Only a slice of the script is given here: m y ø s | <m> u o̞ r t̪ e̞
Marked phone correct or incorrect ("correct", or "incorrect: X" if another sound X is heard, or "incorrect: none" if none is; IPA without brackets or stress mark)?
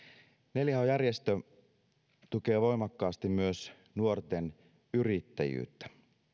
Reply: incorrect: n